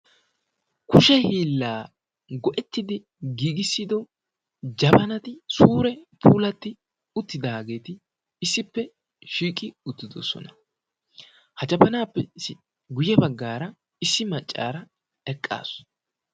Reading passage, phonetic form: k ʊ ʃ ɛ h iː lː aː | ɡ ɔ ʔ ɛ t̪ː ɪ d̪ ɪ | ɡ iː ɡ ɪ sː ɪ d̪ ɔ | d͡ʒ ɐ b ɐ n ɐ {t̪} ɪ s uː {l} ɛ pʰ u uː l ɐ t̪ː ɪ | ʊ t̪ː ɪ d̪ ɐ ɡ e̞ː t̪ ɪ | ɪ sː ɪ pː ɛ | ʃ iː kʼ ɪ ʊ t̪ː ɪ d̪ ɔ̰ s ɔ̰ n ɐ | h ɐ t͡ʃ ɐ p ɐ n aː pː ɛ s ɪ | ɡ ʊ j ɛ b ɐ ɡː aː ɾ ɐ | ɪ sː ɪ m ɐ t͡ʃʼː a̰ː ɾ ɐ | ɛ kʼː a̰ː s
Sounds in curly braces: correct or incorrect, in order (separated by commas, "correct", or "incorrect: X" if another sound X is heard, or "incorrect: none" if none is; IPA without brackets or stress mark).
correct, incorrect: ɾ